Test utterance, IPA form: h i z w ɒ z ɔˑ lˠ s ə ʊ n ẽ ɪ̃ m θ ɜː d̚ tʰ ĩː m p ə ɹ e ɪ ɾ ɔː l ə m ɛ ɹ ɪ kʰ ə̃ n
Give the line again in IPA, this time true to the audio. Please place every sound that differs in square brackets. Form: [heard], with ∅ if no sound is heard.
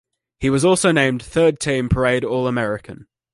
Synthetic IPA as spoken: h i [∅] w ɒ z ɔˑ lˠ s ə ʊ n ẽ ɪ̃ m θ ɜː d̚ tʰ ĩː m [pʰ] ə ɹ e ɪ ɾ ɔː l ə m ɛ ɹ ɪ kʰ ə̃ n